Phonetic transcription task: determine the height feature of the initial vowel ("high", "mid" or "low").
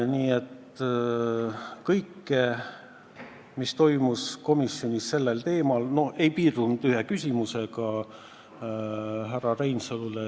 high